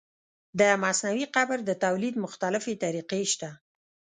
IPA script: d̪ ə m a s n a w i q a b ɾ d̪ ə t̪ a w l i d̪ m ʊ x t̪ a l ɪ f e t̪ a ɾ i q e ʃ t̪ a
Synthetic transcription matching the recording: d̪ ə m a s n a w i q a b ɾ d̪ ə t̪ a w l i d̪ m ʊ x t̪ a l ɪ f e t̪ a ɾ i q e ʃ t̪ a